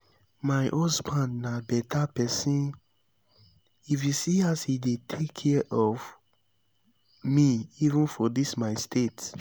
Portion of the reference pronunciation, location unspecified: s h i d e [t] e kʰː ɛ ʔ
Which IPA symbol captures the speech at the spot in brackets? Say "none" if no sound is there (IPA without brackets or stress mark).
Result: tʰ